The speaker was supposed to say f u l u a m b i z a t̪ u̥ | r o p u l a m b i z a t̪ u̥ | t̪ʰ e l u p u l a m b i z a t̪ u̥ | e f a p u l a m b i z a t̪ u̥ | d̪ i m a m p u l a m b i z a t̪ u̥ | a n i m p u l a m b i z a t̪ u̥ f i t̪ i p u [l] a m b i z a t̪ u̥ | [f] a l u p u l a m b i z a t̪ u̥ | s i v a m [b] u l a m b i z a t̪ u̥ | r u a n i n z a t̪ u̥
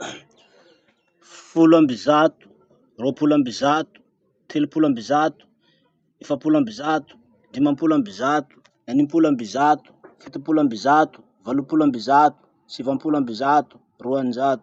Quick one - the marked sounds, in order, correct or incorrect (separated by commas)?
correct, incorrect, incorrect